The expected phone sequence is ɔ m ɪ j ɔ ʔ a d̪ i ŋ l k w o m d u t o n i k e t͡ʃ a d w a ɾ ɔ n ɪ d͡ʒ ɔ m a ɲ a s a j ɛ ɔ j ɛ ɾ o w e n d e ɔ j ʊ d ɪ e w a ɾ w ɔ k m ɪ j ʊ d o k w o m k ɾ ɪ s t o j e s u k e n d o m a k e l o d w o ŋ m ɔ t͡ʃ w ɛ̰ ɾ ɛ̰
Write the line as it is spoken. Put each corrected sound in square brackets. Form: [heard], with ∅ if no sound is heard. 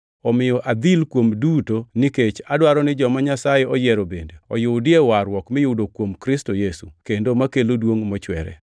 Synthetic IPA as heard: ɔ m ɪ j ɔ ʔ a d̪ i [∅] l k w o m d u t o n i k e t͡ʃ a d w a ɾ ɔ n ɪ d͡ʒ ɔ m a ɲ a s a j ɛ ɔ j ɛ ɾ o [b] e n d e ɔ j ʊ d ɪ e w a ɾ w ɔ k m ɪ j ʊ d o k w o m k ɾ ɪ s t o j e s u k e n d o m a k e l o d w o ŋ m ɔ t͡ʃ w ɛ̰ ɾ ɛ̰